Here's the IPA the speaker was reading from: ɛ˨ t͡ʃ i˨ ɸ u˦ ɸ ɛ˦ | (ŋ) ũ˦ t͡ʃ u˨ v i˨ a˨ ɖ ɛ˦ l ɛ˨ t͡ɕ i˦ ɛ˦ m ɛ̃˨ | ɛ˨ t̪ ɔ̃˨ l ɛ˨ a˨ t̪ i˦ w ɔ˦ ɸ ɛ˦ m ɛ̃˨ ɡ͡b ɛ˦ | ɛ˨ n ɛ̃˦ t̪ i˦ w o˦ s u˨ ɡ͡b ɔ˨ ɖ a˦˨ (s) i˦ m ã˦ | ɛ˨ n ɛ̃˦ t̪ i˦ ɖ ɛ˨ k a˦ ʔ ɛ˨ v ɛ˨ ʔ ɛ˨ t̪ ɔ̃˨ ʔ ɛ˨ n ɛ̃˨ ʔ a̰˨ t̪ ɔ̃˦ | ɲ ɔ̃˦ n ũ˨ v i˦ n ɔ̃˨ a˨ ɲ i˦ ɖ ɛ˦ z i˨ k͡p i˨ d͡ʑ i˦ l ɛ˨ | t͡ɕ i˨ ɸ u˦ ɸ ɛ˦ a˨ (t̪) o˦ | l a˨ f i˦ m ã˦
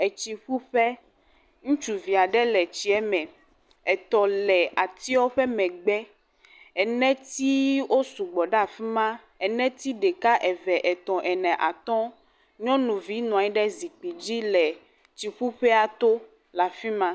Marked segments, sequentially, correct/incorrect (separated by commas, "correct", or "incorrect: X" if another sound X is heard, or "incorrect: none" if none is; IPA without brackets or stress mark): correct, incorrect: f, correct